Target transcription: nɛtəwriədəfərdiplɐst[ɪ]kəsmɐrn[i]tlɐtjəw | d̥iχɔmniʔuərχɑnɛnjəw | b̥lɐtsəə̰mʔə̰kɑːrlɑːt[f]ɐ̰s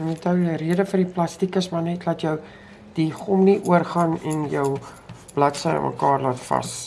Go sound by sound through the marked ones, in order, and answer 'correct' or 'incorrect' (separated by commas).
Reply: incorrect, incorrect, correct